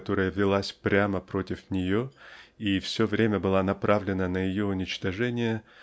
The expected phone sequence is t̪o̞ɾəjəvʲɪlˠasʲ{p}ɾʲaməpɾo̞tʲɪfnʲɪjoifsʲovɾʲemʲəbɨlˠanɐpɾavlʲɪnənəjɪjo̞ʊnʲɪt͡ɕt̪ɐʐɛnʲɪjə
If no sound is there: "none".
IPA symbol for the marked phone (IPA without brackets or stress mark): p